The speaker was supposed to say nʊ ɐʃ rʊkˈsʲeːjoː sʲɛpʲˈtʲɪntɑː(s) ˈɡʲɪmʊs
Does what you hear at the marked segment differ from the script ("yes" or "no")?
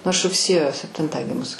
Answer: yes